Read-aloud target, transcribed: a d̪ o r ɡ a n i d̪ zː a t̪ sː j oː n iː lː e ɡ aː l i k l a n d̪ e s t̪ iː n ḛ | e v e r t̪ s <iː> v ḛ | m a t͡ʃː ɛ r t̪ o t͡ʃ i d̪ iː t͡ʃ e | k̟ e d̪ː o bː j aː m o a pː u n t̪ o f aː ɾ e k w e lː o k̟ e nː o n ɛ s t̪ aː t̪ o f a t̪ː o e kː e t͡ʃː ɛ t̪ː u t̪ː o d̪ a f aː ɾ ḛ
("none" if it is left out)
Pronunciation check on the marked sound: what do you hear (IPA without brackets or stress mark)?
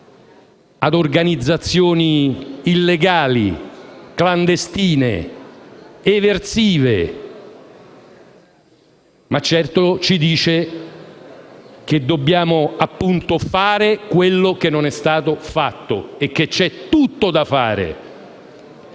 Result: iː